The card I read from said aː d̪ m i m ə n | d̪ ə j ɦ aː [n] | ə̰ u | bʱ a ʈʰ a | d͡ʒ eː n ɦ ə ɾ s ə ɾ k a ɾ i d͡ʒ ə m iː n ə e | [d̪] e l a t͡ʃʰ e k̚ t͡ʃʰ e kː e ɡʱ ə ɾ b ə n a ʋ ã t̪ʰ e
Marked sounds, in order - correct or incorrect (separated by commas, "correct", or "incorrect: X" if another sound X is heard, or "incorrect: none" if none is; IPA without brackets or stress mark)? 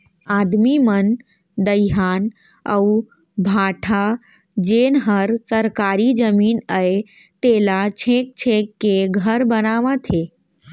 correct, incorrect: t̪